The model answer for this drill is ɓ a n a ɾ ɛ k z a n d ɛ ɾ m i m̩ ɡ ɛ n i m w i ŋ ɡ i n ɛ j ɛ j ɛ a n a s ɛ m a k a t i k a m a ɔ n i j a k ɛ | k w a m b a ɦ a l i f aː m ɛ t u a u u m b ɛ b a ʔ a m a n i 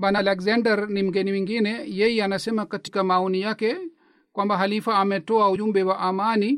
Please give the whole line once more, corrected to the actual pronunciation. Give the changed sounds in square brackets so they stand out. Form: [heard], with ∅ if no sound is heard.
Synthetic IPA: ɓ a n a [l] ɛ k z a n d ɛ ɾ [n] i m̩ ɡ ɛ n i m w i ŋ ɡ i n ɛ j ɛ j ɛ a n a s ɛ m a k a t i k a m a ɔ n i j a k ɛ | k w a m b a ɦ a l i f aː m ɛ t [ɔ] a u u m b ɛ [w] a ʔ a m a n i